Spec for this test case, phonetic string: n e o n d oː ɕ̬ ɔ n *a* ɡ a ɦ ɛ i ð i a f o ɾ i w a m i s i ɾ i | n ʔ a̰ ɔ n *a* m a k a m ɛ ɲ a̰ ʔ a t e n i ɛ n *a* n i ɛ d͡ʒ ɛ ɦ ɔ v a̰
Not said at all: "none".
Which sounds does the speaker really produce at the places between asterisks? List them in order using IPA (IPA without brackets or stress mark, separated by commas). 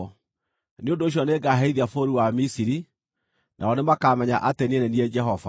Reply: e, e, ɛ